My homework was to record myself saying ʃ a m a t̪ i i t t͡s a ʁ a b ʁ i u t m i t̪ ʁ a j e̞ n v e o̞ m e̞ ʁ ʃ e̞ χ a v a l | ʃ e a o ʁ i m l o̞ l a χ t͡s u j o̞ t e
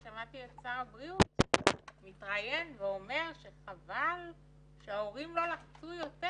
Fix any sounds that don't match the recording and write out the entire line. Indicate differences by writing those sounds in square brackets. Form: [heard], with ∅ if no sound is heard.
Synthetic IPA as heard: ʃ a m a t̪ i [e] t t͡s a ʁ a b ʁ i u t m i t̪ ʁ a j e̞ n v e o̞ m e̞ ʁ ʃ e̞ χ a v a l | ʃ e a o ʁ i m l o̞ l a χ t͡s u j o̞ t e